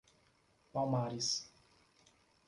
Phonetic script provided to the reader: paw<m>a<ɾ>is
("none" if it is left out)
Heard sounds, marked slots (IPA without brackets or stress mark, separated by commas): m, ɾ